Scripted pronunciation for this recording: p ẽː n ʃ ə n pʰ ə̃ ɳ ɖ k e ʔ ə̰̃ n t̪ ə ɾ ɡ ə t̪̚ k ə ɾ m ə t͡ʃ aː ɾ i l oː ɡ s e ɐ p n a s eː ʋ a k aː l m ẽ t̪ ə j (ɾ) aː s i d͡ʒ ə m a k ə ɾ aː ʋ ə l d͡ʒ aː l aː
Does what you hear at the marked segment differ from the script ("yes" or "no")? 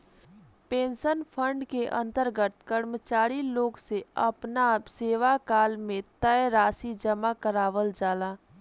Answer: no